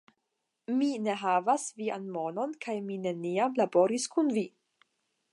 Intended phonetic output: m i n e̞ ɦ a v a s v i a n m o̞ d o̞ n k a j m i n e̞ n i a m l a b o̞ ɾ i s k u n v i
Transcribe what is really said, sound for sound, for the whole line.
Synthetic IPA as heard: m i n e̞ ɦ a v a s v i a n m o̞ n o̞ n k a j m i n e̞ n i a m l a b o̞ ɾ i s k u n v i